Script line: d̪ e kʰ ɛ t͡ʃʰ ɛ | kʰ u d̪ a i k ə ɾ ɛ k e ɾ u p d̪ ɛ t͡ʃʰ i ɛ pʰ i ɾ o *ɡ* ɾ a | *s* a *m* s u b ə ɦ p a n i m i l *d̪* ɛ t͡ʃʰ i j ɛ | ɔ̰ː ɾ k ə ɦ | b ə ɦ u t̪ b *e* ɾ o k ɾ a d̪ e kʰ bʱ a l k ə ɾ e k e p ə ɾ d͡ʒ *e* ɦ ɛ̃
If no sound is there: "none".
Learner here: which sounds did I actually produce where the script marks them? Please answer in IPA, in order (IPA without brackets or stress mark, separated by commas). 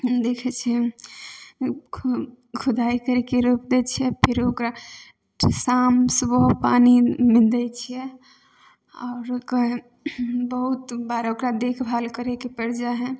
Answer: k, s, m, d̪, a, a